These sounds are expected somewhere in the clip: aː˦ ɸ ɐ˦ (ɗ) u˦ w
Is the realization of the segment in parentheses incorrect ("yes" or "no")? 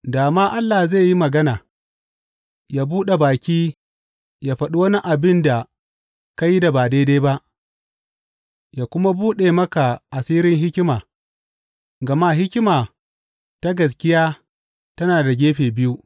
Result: no